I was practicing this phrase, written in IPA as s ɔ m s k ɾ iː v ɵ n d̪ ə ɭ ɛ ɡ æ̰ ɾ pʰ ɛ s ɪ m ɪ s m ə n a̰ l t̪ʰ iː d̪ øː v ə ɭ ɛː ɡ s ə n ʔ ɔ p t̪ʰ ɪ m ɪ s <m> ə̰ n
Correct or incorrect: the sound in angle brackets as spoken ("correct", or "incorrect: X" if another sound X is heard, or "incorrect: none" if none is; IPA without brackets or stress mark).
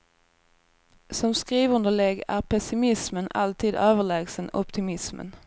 correct